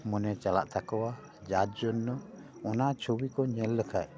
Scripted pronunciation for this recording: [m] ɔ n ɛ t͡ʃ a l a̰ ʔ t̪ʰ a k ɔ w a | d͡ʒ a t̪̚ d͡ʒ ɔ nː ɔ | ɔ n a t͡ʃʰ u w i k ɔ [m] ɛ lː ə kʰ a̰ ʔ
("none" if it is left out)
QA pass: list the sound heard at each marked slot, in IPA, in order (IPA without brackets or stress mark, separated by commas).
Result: m, ɲ